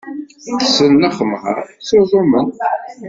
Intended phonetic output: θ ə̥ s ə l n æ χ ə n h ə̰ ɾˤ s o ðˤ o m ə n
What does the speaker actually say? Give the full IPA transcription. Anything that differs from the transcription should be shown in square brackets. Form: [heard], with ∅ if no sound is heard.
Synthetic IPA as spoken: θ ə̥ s ə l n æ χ ə [m] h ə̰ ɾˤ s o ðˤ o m ə n